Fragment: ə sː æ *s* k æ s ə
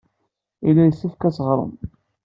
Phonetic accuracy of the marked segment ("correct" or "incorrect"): incorrect